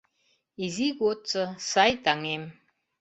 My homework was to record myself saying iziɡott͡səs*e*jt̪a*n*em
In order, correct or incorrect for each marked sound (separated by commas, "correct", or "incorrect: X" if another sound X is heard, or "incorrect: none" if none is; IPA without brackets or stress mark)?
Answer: incorrect: a, incorrect: ŋ